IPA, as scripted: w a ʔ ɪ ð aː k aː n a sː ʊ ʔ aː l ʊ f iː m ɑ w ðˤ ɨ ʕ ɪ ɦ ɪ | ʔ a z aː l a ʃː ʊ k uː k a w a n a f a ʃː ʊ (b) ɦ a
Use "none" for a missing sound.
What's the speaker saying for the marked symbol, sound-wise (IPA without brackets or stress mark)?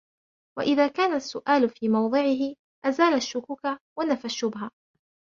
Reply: b